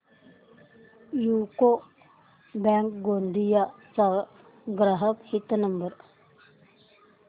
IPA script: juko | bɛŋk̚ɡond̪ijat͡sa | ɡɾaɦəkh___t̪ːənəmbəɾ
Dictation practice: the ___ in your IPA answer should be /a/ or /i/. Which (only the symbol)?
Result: i